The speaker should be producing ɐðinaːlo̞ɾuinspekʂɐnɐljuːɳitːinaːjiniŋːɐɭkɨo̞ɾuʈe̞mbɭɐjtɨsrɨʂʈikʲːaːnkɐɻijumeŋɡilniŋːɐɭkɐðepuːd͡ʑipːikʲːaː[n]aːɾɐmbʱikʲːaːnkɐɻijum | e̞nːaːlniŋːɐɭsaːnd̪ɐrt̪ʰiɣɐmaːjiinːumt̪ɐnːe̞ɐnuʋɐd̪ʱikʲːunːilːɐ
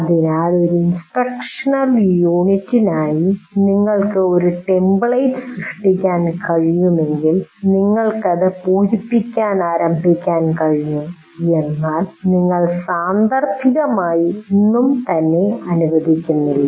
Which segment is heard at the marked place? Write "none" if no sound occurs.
n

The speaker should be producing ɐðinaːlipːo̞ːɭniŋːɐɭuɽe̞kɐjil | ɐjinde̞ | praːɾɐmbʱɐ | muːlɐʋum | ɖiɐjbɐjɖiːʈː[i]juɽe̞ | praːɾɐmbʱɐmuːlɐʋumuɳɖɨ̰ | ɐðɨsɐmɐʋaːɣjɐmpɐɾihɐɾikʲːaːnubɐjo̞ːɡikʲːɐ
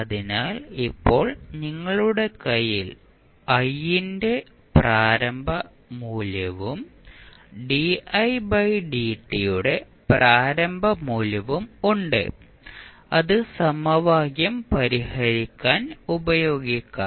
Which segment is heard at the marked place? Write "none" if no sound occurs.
i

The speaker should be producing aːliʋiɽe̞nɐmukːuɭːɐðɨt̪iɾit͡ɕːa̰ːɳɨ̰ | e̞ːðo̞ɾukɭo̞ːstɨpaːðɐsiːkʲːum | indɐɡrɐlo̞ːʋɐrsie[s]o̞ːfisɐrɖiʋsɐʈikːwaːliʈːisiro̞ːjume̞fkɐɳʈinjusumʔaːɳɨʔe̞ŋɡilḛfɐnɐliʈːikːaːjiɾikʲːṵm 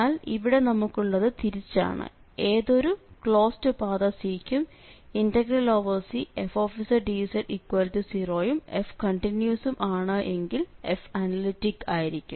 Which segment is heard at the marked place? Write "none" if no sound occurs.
f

